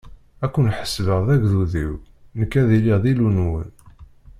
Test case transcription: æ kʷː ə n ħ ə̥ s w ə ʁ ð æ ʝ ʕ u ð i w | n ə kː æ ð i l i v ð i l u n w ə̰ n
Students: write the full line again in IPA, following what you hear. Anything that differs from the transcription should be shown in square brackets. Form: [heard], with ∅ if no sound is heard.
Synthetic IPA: æ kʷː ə n ħ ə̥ s [v] ə ʁ ð æ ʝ [ð] u ð i w | n ə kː æ ð i l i [ʁ] ð i l u n w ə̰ n